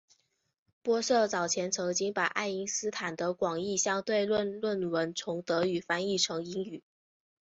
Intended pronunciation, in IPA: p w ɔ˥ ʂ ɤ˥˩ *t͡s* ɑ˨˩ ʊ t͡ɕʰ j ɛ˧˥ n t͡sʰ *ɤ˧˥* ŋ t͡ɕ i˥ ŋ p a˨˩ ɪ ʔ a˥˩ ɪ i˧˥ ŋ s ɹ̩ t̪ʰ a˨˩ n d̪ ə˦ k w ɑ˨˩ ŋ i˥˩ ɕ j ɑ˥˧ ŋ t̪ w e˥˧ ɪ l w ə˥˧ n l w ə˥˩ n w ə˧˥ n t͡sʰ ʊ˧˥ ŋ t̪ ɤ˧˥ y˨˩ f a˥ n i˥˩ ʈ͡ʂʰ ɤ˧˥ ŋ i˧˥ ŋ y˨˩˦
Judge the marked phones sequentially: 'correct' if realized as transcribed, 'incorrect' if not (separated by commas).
correct, correct